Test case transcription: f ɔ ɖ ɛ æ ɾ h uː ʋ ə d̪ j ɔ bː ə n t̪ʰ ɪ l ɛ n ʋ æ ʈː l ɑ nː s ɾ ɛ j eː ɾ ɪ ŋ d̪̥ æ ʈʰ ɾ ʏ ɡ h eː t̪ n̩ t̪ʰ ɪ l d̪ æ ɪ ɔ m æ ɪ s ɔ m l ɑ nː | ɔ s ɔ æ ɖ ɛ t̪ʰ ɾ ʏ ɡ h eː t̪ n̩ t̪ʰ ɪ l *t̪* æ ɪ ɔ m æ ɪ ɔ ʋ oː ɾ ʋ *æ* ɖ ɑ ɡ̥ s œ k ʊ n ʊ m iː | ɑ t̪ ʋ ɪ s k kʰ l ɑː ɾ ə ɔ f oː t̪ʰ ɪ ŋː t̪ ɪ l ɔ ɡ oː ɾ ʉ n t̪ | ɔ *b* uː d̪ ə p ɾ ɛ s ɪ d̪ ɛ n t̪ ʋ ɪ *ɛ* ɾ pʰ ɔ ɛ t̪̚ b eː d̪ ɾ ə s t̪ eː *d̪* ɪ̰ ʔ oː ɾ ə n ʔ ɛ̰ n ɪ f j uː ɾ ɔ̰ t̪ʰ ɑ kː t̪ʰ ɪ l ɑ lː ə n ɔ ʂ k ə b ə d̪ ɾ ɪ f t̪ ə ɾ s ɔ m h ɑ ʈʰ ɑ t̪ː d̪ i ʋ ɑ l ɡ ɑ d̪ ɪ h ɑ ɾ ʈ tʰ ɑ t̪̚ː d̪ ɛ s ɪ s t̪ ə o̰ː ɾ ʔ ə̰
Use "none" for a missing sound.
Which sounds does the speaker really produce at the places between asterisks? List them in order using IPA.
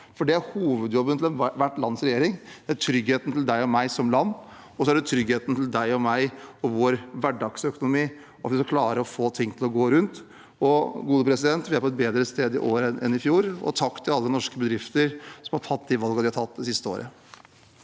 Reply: d̪, æ, ɡ, æ, d̪

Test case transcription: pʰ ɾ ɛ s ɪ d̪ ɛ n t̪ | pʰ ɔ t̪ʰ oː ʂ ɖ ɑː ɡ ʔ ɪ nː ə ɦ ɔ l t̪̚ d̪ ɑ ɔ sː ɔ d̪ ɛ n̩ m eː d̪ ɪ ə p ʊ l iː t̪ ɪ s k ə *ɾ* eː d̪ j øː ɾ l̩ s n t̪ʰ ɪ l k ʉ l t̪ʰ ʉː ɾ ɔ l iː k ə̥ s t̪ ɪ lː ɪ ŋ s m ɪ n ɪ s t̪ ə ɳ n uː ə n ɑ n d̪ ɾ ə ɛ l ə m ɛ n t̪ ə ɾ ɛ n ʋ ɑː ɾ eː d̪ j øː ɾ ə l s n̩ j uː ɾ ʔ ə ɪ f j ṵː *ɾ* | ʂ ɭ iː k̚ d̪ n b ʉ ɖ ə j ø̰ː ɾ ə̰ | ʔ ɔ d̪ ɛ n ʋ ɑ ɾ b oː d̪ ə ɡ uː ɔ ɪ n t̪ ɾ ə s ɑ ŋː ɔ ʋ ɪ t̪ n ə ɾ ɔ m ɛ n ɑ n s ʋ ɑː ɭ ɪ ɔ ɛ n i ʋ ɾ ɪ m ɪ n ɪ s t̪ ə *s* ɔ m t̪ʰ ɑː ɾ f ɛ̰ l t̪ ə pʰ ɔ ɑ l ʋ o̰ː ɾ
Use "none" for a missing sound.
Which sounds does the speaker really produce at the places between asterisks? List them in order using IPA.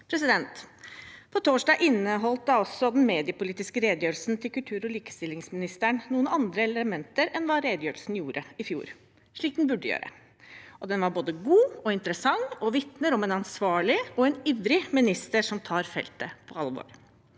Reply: ɾ, ɾ, ʂ

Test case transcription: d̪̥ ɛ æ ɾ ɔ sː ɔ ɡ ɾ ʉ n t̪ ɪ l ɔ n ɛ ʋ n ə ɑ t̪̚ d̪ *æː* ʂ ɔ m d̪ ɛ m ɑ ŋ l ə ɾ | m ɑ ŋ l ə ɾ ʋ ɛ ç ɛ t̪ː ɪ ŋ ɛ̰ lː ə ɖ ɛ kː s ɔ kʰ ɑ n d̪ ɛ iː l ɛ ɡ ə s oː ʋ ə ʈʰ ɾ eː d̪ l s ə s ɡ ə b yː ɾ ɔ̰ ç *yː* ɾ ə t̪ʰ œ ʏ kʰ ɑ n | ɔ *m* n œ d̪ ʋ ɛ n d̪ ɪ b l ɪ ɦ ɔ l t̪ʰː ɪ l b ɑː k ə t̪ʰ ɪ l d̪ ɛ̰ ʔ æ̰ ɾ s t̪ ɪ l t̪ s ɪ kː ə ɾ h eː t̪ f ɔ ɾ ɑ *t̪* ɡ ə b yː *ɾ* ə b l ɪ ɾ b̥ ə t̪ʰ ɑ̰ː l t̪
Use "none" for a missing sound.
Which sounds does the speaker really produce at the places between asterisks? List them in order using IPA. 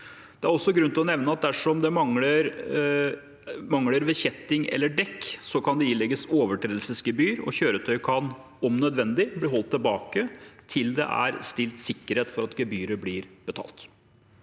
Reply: æ, øː, m, t̪, ɾ

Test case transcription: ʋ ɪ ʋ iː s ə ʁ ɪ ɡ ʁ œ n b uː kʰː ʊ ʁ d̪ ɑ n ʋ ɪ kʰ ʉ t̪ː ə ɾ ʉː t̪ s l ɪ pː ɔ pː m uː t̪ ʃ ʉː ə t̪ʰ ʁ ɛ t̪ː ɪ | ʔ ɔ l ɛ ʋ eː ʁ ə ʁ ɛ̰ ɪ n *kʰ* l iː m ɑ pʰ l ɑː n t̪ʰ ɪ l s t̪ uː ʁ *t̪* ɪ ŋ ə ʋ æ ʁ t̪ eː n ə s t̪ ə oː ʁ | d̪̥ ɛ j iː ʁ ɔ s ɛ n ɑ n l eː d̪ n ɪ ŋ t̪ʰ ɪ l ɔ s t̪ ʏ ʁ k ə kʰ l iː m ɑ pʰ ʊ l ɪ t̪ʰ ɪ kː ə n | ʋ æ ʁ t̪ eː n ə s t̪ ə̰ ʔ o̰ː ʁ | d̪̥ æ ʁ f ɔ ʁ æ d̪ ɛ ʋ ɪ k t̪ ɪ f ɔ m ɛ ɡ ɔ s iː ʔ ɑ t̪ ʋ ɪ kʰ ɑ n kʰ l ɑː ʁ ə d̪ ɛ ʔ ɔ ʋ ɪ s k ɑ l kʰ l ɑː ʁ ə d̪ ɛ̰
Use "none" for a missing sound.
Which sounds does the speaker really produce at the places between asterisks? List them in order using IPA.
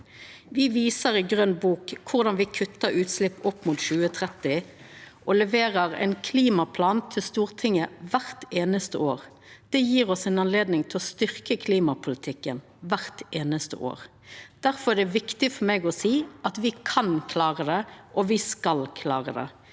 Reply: kʰ, t̪ʰ

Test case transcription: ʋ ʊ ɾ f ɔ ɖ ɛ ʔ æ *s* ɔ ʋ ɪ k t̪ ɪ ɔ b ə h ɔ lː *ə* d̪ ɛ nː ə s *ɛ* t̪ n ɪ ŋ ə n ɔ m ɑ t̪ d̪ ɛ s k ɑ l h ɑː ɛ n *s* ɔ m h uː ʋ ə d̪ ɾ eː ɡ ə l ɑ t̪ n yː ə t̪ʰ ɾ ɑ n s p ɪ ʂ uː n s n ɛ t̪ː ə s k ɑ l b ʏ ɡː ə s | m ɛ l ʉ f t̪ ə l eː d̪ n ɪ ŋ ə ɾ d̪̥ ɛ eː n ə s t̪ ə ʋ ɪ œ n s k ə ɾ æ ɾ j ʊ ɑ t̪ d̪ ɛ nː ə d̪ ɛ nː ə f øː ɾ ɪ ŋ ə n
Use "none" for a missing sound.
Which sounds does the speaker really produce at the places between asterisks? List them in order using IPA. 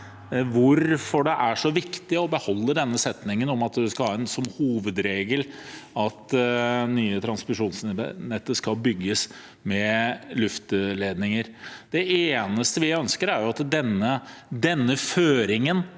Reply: ʂ, ə, ɛ, s

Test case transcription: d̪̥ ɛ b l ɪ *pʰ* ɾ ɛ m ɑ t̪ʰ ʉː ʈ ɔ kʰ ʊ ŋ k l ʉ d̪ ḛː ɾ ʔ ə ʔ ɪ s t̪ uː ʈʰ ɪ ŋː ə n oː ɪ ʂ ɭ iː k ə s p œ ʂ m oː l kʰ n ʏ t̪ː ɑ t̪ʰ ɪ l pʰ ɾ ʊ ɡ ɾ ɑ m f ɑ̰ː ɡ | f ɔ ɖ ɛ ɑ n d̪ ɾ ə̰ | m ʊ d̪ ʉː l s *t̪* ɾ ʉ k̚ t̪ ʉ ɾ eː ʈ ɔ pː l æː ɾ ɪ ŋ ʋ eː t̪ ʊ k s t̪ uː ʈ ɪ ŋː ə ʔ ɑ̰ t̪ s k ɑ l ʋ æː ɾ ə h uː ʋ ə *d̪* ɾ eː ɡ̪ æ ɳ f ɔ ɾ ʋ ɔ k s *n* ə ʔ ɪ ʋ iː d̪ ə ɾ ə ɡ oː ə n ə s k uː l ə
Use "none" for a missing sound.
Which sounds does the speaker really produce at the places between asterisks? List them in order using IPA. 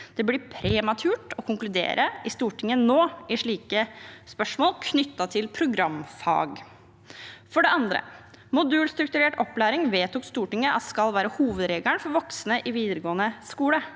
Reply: pʰ, t̪, d̪, n

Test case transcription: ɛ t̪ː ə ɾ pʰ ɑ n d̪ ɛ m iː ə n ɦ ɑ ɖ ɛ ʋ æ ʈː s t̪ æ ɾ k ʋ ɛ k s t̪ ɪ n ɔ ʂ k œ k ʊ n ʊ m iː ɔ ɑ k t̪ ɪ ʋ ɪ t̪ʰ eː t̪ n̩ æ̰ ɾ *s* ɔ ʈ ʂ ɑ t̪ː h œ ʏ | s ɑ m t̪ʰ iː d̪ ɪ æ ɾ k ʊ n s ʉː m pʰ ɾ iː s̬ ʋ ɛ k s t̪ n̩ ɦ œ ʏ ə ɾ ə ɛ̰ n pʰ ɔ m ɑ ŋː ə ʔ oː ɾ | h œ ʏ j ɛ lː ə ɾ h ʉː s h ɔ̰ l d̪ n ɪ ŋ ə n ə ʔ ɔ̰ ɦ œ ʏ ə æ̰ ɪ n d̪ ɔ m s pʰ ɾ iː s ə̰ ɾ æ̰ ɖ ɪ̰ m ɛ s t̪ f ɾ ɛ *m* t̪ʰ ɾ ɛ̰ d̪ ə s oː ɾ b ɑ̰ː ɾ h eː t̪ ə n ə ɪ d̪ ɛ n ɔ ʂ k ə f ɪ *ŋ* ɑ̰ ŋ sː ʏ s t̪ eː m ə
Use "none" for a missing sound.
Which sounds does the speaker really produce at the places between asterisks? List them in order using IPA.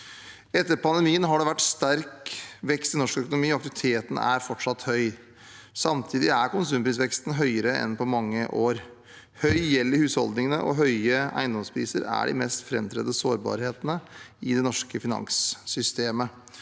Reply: f, m, n

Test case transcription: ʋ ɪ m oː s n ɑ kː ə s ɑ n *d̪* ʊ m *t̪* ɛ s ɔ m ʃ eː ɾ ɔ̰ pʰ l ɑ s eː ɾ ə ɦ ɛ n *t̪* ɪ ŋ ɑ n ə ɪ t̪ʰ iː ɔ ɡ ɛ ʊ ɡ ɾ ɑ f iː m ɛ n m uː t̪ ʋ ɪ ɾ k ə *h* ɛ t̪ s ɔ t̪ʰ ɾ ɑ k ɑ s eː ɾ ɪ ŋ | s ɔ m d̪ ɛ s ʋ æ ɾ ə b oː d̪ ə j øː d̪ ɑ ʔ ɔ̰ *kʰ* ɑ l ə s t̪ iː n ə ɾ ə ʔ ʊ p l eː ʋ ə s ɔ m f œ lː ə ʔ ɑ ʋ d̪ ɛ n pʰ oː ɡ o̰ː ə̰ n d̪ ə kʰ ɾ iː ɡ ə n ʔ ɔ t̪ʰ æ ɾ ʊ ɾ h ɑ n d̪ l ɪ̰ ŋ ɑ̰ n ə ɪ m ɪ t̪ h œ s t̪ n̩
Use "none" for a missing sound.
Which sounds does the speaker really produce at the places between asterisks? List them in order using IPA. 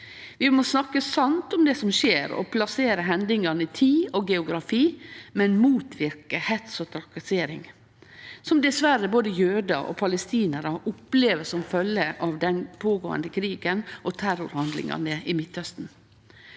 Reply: t̪, d̪, d̪, h, pʰ

